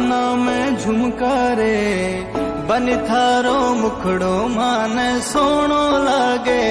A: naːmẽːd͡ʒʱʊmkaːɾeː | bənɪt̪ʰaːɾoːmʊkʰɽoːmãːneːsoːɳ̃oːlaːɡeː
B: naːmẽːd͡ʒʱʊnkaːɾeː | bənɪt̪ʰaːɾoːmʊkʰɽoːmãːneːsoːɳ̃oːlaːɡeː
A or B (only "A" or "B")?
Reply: A